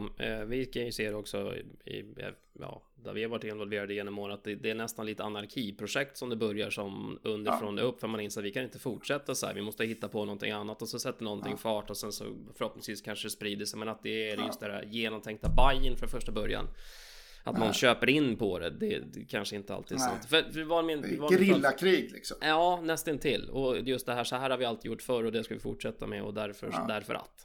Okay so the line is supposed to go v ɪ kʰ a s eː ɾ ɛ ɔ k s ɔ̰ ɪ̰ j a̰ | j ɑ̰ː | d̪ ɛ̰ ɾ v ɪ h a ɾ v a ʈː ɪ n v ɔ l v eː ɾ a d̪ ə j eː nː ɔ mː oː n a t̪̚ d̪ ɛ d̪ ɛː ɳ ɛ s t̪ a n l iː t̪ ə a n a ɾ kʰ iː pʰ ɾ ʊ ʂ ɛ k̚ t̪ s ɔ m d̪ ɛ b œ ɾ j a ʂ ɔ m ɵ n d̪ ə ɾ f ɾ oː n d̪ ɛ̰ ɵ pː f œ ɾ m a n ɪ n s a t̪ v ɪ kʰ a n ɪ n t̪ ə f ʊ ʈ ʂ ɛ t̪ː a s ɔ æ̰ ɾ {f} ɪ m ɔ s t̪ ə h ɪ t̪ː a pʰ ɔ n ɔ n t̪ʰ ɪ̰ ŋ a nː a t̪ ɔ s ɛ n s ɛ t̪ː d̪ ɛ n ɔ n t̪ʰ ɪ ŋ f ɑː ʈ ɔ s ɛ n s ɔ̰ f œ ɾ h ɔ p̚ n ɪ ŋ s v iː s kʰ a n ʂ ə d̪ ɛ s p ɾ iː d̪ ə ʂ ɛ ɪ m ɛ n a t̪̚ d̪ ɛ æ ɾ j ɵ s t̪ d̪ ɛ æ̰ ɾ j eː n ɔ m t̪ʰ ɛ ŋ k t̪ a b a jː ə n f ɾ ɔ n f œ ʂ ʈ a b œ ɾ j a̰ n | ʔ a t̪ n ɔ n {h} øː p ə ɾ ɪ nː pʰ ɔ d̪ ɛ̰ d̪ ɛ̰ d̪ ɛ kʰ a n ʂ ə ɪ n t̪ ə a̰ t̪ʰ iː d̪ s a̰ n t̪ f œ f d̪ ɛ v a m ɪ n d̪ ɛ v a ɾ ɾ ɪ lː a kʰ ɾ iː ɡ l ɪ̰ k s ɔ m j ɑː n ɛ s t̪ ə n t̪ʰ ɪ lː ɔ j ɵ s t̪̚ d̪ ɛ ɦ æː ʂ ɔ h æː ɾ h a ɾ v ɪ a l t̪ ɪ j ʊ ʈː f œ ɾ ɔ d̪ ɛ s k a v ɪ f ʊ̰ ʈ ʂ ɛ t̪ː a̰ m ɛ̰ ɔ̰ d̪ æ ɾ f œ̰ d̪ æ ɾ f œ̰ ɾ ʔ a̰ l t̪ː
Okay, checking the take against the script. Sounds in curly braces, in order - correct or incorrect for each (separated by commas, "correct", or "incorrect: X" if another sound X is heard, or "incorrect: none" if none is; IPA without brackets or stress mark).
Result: incorrect: v, incorrect: ɕ